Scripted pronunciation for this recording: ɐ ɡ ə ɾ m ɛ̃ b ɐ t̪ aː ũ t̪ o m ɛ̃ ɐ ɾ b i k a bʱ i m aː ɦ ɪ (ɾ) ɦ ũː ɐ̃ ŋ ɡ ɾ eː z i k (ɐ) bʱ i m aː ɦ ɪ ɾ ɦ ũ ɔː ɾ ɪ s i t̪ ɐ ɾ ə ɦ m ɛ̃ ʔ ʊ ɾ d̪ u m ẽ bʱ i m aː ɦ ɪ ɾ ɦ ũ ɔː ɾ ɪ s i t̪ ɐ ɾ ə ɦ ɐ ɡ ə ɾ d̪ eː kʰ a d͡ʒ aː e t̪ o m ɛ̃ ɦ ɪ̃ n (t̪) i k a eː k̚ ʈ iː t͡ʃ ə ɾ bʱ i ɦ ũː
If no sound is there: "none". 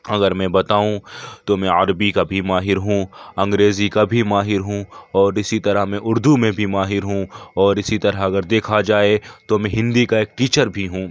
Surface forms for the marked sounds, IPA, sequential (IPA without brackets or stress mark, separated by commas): ɾ, a, d̪